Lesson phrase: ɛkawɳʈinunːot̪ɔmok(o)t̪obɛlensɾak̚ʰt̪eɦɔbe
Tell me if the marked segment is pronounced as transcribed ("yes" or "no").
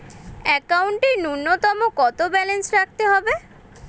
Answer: no